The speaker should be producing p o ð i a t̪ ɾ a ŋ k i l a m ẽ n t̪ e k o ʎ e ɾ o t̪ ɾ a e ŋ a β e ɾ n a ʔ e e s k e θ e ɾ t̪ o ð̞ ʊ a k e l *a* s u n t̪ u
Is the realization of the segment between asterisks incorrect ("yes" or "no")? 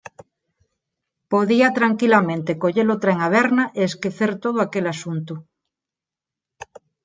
no